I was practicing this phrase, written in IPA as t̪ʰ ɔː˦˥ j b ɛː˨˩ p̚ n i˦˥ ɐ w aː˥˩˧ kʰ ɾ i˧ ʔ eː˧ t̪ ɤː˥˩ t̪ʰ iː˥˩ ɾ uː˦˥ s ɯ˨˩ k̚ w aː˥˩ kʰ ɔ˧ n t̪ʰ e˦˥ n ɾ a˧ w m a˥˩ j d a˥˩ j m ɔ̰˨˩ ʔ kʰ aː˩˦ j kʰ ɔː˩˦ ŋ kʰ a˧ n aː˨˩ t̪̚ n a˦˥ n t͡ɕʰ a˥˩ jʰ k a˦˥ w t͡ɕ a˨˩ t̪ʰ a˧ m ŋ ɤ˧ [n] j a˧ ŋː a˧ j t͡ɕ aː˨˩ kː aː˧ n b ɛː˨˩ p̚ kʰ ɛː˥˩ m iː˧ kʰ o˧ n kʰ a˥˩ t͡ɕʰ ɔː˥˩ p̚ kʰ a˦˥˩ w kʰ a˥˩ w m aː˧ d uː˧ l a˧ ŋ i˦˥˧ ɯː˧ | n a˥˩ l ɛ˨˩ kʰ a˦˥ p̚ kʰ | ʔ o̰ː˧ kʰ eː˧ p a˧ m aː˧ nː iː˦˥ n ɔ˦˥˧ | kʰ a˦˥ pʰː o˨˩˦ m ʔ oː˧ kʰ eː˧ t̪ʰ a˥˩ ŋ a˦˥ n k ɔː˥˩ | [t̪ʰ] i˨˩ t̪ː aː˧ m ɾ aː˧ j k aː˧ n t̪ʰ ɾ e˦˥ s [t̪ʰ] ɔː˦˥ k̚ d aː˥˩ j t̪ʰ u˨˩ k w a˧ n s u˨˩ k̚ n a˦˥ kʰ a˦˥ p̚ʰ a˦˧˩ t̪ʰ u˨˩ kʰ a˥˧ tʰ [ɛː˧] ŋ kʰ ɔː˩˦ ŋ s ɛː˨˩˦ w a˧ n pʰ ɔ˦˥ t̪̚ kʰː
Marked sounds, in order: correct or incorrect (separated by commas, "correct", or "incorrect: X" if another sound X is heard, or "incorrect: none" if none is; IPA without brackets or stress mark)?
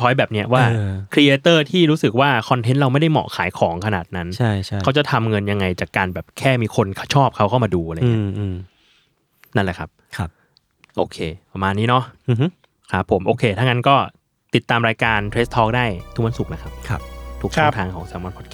correct, incorrect: t̪, correct, incorrect: aː˧